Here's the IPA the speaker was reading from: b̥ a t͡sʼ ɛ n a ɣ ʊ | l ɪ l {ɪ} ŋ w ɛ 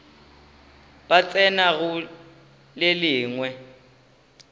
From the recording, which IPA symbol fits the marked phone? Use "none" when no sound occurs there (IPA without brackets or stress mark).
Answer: ɪː